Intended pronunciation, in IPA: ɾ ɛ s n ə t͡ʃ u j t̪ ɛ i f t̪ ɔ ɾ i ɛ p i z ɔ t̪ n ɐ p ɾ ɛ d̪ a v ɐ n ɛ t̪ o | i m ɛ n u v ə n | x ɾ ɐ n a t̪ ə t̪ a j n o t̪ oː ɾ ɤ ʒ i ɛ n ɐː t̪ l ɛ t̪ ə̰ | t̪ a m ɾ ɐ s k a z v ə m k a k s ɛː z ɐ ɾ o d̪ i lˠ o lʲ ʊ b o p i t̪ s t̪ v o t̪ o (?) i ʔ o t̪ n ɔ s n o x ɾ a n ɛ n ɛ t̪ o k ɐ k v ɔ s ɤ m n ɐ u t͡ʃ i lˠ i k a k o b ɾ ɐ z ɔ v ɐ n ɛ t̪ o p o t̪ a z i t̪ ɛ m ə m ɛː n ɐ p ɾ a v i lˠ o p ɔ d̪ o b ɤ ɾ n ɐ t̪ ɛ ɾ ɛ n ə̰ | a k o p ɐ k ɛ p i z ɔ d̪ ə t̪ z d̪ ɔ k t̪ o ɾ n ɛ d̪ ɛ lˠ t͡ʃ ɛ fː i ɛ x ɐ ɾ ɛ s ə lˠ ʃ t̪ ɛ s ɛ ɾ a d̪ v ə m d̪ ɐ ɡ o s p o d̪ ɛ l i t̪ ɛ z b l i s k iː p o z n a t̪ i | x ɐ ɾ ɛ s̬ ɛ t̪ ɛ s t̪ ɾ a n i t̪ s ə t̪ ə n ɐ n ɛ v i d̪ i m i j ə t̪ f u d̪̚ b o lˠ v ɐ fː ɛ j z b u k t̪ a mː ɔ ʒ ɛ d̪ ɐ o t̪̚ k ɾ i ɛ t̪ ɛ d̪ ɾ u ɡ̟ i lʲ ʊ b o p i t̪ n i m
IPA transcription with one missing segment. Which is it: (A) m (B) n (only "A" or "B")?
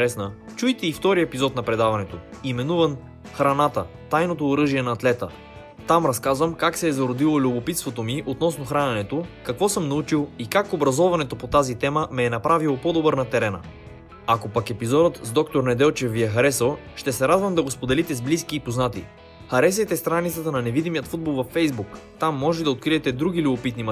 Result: A